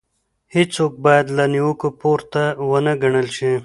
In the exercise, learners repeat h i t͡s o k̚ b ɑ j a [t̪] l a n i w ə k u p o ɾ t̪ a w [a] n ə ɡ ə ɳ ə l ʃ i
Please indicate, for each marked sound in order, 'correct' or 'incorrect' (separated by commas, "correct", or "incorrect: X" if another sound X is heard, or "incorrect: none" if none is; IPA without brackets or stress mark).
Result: incorrect: d̪, incorrect: ə